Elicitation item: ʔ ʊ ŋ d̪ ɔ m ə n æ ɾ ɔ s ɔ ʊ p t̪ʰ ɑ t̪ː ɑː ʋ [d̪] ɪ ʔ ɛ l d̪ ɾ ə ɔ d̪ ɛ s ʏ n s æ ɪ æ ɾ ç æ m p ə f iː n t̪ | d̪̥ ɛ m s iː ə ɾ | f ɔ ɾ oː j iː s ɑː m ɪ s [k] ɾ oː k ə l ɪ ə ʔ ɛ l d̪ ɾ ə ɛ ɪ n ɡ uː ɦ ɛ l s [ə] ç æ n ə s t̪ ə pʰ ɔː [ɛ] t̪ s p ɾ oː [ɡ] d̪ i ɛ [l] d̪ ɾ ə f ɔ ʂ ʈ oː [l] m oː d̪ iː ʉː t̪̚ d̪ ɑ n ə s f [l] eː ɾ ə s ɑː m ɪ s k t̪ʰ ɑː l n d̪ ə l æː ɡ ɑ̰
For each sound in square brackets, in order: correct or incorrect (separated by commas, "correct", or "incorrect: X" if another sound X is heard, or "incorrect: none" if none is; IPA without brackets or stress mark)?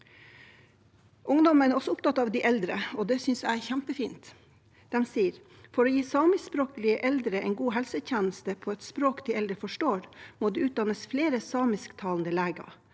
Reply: correct, incorrect: p, correct, correct, incorrect: k, correct, incorrect: ɾ, correct